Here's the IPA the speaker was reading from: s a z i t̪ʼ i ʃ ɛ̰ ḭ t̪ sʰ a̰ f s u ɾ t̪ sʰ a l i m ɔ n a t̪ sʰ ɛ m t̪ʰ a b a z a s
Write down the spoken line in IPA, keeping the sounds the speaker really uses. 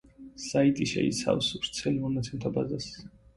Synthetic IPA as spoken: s a i t̪ʼ i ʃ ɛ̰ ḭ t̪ sʰ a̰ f s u ɾ t̪ sʰ ɛ l i m ɔ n a t̪ sʰ ɛ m t̪ʰ a b a z a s